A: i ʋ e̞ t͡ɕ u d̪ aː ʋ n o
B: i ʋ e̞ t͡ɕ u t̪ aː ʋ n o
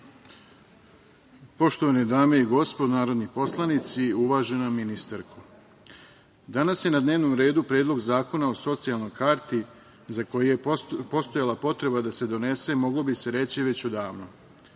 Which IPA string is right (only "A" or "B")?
A